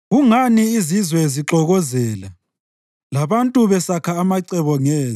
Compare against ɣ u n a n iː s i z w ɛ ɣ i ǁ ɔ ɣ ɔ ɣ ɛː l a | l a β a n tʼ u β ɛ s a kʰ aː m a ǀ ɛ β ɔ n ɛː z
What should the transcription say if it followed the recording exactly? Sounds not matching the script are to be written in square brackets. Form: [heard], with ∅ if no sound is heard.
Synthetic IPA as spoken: ɣ u [ŋ] a n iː [z] i z w ɛ [z] i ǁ ɔ ɣ ɔ [z] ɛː l a | l a β a n tʼ u β ɛ s a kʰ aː m a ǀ ɛ β ɔ [ŋ] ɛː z